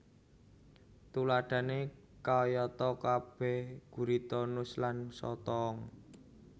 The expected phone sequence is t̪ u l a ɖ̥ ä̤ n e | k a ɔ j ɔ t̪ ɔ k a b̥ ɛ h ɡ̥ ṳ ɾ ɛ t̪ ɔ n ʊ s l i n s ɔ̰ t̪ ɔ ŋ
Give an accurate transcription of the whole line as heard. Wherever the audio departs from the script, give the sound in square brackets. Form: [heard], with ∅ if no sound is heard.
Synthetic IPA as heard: t̪ u l a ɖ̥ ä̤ n e | k a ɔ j ɔ t̪ ɔ k a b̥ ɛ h ɡ̥ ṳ ɾ [i] t̪ ɔ n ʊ s l [a] n s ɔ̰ t̪ ɔ ŋ

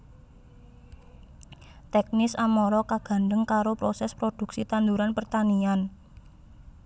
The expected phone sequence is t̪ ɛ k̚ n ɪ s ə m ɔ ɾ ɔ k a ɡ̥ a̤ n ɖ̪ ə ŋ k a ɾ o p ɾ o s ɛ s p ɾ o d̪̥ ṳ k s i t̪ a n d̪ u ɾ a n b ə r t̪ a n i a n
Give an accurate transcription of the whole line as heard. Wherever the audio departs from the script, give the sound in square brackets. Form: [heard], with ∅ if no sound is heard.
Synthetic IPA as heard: t̪ ɛ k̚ n ɪ s [a] m ɔ ɾ ɔ k a ɡ̥ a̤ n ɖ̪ ə ŋ k a ɾ o p ɾ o s ɛ s p ɾ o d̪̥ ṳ k s i t̪ a n d̪ u ɾ a n [p] ə r t̪ a n i a n

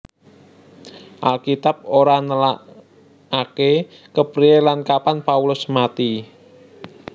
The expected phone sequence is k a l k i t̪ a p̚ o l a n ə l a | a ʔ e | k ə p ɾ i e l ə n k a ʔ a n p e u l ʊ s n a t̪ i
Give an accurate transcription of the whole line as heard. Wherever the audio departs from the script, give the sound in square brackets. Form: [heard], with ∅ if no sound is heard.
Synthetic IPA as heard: [ʔ] a l k i t̪ a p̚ o [ɾ] a n ə l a | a [k] e | k ə p ɾ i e l [a] n k a [p] a n p [a] u l ʊ s [m] a t̪ i

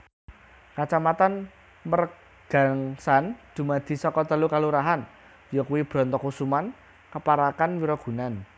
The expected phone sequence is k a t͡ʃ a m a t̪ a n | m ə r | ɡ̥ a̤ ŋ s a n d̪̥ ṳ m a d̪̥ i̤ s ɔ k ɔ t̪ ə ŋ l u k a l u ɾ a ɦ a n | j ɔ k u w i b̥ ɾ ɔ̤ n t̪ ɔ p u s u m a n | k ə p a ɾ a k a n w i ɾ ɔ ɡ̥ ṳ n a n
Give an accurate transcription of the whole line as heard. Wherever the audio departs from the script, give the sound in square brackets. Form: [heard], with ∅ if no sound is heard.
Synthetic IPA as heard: k a t͡ʃ a m a t̪ a n | m ə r | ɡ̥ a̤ ŋ s a n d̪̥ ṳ m a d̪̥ i̤ s ɔ k ɔ t̪ ə [∅] l u k a l u ɾ a ɦ a n | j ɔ k u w i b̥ ɾ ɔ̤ n t̪ ɔ [k] u s u m a n | k ə p a ɾ a k a n w i ɾ ɔ ɡ̥ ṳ n a n

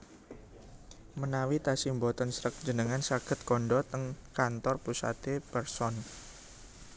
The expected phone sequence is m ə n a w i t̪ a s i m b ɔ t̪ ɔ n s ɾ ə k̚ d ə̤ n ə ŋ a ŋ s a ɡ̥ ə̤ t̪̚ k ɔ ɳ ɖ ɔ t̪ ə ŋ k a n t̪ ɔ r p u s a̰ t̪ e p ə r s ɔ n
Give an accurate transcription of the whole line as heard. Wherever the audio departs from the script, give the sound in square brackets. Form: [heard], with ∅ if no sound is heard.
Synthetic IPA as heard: m ə n a w i t̪ a s i m b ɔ t̪ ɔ n s ɾ ə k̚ [d͡ʒ] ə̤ n ə ŋ a [n] s a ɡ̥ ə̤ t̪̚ k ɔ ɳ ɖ ɔ t̪ ə ŋ k a n t̪ ɔ r p u s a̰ t̪ e p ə r s ɔ n

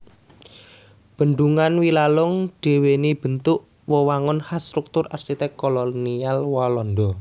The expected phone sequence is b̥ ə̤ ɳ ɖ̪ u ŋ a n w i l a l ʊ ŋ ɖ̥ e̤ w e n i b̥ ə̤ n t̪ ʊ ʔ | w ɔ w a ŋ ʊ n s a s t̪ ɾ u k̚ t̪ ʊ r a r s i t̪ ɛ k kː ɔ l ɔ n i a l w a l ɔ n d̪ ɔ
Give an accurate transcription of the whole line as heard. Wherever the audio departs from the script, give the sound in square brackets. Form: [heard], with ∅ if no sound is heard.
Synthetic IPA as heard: b̥ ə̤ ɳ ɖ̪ u ŋ a n w i l a l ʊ ŋ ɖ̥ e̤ w e n i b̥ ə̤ n t̪ ʊ ʔ | w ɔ w a ŋ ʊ n [h] a s t̪ ɾ u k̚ t̪ ʊ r a r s i t̪ ɛ k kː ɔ l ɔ n i a l w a l ɔ n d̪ ɔ

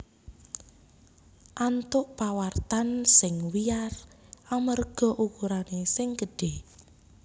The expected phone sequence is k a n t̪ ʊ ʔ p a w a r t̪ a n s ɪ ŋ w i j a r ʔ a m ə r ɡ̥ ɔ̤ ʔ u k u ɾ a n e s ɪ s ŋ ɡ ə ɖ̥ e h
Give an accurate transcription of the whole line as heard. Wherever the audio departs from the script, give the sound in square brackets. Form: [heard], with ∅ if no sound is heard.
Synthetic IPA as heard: [ʔ] a n t̪ ʊ ʔ p a w a r t̪ a n s ɪ ŋ w i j a r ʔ a m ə r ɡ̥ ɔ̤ ʔ u k u ɾ a n e s ɪ [∅] ŋ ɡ ə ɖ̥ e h

